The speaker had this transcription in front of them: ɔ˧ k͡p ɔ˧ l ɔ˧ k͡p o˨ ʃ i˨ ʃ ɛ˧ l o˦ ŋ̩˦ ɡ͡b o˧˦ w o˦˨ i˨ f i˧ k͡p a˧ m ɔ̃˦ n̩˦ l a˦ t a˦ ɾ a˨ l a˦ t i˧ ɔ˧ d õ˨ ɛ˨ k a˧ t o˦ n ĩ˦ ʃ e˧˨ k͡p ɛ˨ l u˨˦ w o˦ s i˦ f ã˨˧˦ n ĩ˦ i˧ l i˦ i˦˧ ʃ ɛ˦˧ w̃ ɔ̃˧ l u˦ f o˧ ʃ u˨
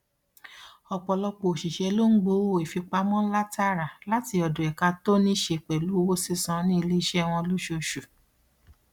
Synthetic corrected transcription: ɔ˧ k͡p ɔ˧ l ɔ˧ k͡p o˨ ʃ i˨ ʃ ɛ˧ l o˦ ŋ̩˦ ɡ͡b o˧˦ w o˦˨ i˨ f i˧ k͡p a˧ m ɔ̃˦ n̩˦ l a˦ t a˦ ɾ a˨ l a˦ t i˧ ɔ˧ d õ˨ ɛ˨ k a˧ t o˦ n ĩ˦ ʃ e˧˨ k͡p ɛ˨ l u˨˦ w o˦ s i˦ s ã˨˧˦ n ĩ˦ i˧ l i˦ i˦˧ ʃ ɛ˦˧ w̃ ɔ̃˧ l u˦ ʃ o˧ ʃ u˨